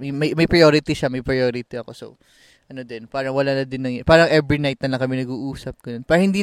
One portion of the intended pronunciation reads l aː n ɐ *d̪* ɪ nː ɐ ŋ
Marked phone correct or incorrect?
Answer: correct